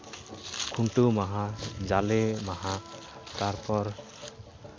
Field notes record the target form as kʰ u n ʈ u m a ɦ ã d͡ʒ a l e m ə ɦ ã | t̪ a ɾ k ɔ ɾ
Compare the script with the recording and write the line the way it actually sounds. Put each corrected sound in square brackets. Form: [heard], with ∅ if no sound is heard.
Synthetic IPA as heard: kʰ u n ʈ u m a ɦ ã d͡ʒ a l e m [a] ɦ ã | t̪ a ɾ [p] ɔ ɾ